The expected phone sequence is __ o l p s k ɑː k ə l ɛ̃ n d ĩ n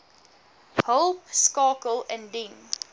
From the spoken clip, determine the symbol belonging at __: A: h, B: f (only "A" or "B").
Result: A